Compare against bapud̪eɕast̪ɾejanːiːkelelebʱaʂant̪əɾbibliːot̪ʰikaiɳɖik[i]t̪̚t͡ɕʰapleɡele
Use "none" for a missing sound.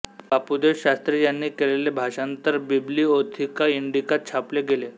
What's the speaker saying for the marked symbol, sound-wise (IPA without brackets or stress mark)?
a